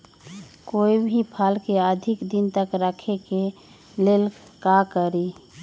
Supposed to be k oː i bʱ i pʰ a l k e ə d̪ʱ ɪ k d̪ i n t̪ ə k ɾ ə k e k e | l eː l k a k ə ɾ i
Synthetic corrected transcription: k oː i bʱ i pʰ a l k e ə d̪ʱ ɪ k d̪ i n t̪ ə k ɾ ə kʰ e k e | l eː l k a k ə ɾ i